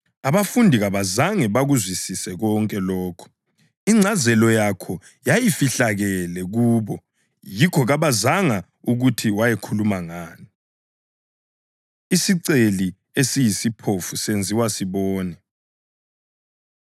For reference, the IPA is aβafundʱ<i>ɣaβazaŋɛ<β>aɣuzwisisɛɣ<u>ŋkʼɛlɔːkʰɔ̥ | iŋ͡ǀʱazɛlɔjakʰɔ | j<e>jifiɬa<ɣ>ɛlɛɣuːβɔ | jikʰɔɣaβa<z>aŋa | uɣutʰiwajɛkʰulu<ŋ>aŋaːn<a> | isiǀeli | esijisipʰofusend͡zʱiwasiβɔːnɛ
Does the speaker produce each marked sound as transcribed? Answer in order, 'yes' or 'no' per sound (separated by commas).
yes, yes, no, no, yes, yes, no, no